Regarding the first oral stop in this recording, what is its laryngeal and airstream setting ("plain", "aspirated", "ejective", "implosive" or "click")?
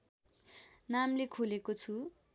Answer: aspirated